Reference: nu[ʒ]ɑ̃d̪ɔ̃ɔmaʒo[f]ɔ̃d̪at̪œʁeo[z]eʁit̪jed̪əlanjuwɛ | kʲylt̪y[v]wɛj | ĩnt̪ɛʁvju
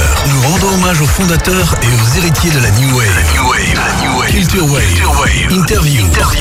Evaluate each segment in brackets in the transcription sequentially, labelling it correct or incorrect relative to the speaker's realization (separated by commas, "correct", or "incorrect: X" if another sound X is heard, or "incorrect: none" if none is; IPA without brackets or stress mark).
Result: incorrect: ʁ, correct, correct, incorrect: ʁ